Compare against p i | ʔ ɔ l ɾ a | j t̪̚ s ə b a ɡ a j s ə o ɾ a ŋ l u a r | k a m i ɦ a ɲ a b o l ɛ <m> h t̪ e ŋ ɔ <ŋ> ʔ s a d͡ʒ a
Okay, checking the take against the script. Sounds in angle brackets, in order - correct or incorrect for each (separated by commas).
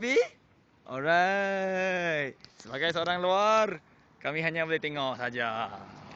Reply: incorrect, incorrect